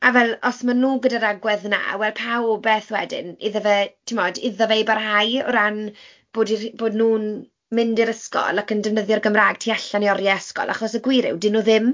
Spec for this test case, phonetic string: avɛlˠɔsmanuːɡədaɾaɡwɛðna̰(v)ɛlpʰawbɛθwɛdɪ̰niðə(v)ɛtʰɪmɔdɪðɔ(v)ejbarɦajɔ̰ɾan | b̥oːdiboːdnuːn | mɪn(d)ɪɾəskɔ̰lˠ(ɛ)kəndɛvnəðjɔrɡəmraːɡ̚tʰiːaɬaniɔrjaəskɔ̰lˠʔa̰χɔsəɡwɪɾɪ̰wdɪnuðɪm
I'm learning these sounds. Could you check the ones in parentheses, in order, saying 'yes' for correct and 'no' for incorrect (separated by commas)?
no, yes, yes, yes, no